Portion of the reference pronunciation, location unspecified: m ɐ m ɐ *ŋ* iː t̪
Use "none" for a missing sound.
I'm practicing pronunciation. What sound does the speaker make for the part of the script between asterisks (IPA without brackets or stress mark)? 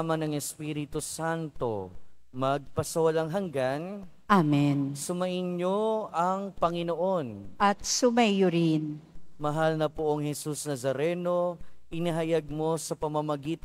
ɡ